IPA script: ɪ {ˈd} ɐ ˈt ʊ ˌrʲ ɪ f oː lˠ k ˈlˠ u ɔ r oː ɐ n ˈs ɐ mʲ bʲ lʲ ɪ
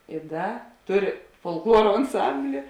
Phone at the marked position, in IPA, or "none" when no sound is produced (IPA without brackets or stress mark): d